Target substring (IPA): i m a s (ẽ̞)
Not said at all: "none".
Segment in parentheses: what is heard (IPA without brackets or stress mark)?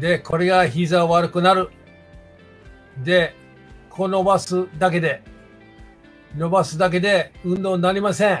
ẽ̞